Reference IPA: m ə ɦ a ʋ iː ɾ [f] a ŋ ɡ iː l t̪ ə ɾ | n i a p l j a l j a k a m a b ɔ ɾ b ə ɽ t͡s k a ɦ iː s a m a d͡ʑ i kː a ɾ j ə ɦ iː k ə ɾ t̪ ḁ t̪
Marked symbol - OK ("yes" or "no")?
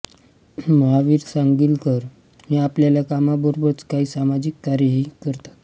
no